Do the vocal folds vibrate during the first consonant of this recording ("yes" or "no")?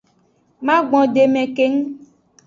yes